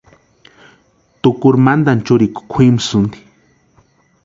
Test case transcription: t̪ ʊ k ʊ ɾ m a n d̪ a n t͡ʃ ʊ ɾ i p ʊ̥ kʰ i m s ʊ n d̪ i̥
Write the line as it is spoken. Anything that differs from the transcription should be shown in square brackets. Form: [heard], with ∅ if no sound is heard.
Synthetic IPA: t̪ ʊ k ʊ ɾ m a n d̪ a n t͡ʃ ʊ ɾ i [k] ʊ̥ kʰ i m s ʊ n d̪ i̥